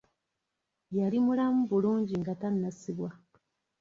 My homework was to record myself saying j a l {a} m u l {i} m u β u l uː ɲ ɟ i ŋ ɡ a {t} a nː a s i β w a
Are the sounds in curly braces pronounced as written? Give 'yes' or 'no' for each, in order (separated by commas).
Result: no, no, yes